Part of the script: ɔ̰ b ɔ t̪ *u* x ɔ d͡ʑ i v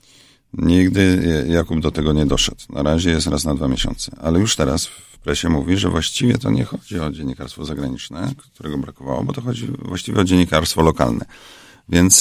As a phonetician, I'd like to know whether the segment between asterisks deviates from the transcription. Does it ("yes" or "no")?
yes